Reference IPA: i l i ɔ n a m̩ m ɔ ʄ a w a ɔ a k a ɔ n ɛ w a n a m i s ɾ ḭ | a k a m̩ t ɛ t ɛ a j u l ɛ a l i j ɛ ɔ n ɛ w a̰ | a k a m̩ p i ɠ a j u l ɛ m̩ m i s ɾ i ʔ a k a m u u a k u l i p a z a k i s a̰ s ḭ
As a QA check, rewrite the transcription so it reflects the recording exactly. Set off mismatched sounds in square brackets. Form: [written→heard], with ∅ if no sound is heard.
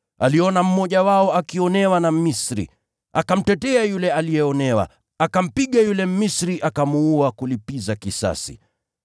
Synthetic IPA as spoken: [i→a] l i ɔ n a m̩ m ɔ ʄ a w a ɔ a k [a→i] ɔ n ɛ w a n a m i s ɾ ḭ | a k a m̩ t ɛ t ɛ a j u l ɛ a l i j ɛ ɔ n ɛ w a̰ | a k a m̩ p i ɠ a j u l ɛ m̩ m i s ɾ i ʔ a k a m u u a k u l i p [a→i] z a k i s a̰ s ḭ

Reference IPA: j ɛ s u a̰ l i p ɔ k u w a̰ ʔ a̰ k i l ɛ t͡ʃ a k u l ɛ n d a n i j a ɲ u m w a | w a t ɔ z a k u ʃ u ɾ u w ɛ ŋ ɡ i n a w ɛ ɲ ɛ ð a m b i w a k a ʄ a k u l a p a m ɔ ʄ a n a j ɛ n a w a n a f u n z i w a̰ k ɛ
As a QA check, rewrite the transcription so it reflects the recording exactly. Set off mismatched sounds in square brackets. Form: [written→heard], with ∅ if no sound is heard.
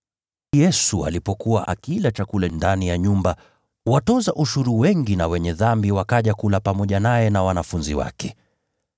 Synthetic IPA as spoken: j ɛ s u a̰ l i p ɔ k u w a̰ ʔ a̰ k i l [ɛ→a] t͡ʃ a k u l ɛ n d a n i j a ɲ u m [w→b] a | w a t ɔ z a [k→ʔ] u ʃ u ɾ u w ɛ ŋ ɡ i n a w ɛ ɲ ɛ ð a m b i w a k a ʄ a k u l a p a m ɔ ʄ a n a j ɛ n a w a n a f u n z i w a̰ k ɛ

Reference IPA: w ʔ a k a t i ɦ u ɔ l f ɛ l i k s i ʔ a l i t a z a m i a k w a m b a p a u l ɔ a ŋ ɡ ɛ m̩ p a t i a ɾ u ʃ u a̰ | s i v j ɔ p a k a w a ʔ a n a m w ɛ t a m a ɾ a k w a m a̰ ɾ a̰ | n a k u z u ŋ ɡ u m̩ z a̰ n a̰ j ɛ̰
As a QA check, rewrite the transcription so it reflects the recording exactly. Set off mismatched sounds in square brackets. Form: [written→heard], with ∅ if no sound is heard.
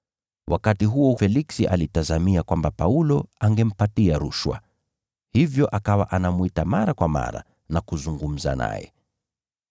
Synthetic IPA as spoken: w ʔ a k a t i ɦ u ɔ [l→∅] f ɛ l i k s i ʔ a l i t a z a m i a k w a m b a p a u l ɔ a ŋ ɡ ɛ m̩ p a t i a ɾ u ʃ [u→w] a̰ | [s→h] i v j ɔ [p→ʔ] a k a w a ʔ a n a m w [ɛ→i] t a m a ɾ a k w a m a̰ ɾ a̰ | n a k u z u ŋ ɡ u m̩ z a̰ n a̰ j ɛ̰

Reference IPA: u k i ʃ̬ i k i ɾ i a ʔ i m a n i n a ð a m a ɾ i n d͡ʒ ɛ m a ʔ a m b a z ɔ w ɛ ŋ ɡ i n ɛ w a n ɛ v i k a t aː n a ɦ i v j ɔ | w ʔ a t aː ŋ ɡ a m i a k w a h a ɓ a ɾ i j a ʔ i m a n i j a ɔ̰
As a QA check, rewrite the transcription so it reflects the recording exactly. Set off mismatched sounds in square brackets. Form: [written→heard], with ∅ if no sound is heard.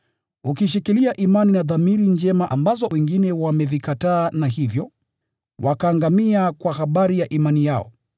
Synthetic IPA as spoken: u k i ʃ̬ i k i [ɾ→l] i a ʔ i m a n i n a ð a m [a→i] ɾ i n d͡ʒ ɛ m a ʔ a m b a z ɔ w ɛ ŋ ɡ i n ɛ w a [n→m] ɛ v i k a t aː n a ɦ i v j ɔ | w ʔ a [t→k] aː ŋ ɡ a m i a k w a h a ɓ a ɾ i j a ʔ i m a n i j a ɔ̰

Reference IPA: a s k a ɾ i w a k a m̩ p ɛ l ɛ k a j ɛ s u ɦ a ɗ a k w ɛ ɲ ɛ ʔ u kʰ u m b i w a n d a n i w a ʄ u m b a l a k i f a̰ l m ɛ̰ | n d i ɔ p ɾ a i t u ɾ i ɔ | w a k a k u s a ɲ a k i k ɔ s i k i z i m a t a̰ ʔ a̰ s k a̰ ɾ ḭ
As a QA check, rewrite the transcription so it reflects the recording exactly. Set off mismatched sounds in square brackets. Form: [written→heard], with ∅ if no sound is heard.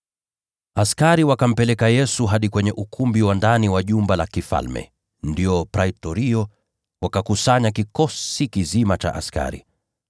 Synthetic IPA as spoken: a s k a ɾ i w a k a m̩ p ɛ l ɛ k a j ɛ s u ɦ a ɗ [a→i] k w ɛ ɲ ɛ ʔ u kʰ u m b i w a n d a n i w a ʄ u m b a l a k i f a̰ l m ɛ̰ | n d i ɔ p ɾ a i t [u→ɔ] ɾ i ɔ | w a k a k u s a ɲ a k i k ɔ s i k i z i m a [t→t͡ʃ] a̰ ʔ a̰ s k a̰ ɾ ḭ

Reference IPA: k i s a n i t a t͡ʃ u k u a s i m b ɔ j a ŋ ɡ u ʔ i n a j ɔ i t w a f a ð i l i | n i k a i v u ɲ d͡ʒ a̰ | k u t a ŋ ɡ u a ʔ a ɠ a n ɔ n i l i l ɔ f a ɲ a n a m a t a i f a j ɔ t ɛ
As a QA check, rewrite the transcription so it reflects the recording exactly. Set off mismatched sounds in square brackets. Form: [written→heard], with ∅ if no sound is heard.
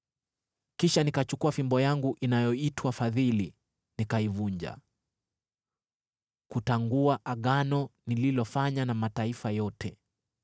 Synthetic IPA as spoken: k i [s→ʃ] a n i [t→k] a t͡ʃ u k u a [s→f] i m b ɔ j a ŋ ɡ u ʔ i n a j ɔ i t w a f a ð i l i | n i k a i v u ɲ d͡ʒ a̰ | k u t a ŋ ɡ u a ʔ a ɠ a n ɔ n i l i l ɔ f a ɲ a n a m a t a i f a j ɔ t ɛ

